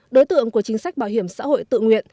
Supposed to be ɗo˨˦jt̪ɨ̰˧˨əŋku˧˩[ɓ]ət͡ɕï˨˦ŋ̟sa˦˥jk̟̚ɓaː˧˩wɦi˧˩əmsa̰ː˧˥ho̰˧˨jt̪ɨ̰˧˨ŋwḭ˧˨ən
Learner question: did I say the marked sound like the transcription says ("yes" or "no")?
no